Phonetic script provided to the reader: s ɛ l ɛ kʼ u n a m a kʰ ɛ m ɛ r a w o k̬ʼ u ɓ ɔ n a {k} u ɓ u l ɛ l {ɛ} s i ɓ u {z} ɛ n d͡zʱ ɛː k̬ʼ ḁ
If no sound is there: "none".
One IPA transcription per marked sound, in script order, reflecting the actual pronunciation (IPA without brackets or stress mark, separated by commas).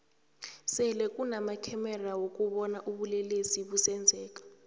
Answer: ʔ, e, s